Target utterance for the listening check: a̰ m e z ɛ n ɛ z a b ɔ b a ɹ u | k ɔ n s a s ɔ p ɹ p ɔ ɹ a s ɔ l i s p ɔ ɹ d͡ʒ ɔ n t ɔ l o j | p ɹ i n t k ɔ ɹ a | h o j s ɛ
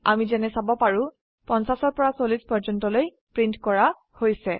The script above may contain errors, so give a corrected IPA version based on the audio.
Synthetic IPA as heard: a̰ m i z ɛ n ɛ s a b ɔ p a ɹ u | p ɔ n s a s ɔ ɹ p ɔ ɹ a s o l i s p ɔ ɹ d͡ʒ ɔ n t ɔ l o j | p ɹ i n t k ɔ ɹ a | h o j s ɛ